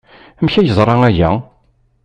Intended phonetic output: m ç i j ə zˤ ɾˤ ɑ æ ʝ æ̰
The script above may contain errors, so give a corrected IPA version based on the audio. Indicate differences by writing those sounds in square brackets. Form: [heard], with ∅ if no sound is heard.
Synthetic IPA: m ç [æ] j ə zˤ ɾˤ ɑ æ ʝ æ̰